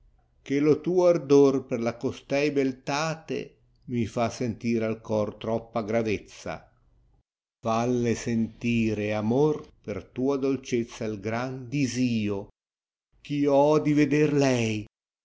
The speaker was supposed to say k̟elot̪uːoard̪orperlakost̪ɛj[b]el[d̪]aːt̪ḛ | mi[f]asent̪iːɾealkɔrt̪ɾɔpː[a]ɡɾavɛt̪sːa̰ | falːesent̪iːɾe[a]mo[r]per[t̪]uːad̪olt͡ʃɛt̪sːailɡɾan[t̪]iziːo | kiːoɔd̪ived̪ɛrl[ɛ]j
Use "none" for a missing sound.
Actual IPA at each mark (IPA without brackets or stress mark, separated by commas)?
b, t̪, f, a, a, r, t̪, d̪, ɛ